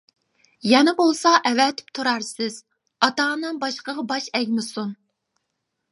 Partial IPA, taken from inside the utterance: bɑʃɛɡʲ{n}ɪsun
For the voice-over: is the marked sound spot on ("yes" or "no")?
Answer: no